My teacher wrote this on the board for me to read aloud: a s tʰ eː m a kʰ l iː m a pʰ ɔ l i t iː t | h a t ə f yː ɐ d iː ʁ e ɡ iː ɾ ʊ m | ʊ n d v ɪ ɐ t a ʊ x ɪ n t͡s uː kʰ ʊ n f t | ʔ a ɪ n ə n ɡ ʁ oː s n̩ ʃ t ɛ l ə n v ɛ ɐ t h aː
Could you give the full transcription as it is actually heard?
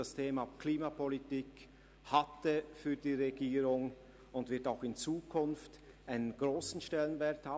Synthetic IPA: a s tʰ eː m a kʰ l iː m a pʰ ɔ l i t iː k | h a t ə f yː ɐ d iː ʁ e ɡ iː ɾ ʊ ŋ | ʊ n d v ɪ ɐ t a ʊ x ɪ n t͡s uː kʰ ʊ n f t | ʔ a ɪ n ə n ɡ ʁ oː s n̩ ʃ t ɛ l ə n v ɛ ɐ t h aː